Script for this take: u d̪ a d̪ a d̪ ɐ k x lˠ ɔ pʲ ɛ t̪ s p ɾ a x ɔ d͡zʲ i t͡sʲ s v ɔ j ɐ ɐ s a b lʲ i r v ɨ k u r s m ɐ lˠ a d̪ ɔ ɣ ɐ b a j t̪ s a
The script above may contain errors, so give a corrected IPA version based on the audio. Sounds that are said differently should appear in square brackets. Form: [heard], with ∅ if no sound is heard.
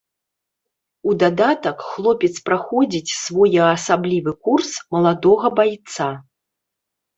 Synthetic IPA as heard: u d̪ a d̪ a [t̪] ɐ k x lˠ ɔ pʲ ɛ t̪ s p ɾ a x ɔ d͡zʲ i t͡sʲ s v ɔ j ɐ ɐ s a b lʲ i [∅] v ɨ k u r s m ɐ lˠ a d̪ ɔ ɣ ɐ b a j t̪ s a